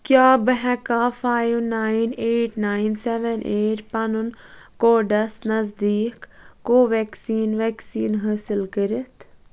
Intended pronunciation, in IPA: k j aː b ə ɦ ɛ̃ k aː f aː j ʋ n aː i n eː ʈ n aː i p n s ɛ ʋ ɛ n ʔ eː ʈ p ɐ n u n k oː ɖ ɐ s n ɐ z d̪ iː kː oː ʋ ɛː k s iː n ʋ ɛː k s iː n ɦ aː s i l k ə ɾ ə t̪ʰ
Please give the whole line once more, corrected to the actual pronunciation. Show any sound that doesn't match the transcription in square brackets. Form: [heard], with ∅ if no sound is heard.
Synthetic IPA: k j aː b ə ɦ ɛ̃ k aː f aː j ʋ n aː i n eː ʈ n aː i [∅] n s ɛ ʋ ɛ n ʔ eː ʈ p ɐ n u n k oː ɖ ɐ s n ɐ z d̪ iː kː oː ʋ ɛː k s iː n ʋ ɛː k s iː n ɦ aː s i l k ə ɾ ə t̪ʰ